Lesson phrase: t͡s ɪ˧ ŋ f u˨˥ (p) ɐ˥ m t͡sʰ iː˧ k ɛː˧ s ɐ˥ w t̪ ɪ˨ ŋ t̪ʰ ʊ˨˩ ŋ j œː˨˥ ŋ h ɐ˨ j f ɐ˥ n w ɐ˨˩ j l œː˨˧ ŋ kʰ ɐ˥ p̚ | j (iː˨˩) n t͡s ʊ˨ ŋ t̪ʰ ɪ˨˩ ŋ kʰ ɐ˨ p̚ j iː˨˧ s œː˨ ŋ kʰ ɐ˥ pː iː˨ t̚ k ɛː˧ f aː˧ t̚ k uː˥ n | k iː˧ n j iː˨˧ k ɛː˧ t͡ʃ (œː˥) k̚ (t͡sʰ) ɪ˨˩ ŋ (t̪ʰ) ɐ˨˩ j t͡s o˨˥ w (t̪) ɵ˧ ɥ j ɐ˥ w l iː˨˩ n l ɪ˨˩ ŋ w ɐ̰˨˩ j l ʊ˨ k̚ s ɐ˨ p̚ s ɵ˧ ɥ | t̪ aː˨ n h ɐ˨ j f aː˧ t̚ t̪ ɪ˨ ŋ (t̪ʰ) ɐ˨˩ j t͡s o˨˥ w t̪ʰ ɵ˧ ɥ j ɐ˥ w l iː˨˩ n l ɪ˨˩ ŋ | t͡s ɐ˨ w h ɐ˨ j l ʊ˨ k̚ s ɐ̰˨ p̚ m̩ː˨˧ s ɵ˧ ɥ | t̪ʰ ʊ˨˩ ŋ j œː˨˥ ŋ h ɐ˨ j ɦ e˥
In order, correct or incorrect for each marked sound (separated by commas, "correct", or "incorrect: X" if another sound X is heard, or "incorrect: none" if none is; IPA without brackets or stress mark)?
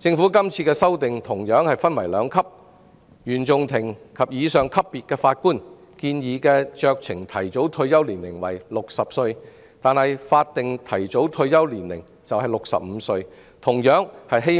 incorrect: k, incorrect: yː˨˩, incorrect: œː˧, correct, correct, incorrect: t̪ʰ, correct